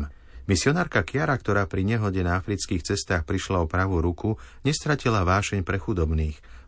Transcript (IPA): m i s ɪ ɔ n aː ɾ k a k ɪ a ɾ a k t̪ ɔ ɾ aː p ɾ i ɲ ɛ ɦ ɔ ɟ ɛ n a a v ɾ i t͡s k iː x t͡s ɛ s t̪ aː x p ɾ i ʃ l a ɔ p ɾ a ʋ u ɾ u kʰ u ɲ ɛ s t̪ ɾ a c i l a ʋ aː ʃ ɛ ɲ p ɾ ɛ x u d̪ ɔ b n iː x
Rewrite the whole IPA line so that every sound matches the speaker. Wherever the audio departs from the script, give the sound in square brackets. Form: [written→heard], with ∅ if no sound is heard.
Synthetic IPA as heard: m i s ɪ ɔ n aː ɾ k a k ɪ a ɾ a k t̪ ɔ ɾ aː p ɾ i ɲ ɛ ɦ ɔ ɟ ɛ n a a [v→f] ɾ i t͡s k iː x t͡s ɛ s t̪ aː x p ɾ i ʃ l a ɔ p ɾ a ʋ u ɾ u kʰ u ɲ ɛ s t̪ ɾ a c i l a ʋ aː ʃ ɛ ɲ p ɾ ɛ x u d̪ ɔ b n iː x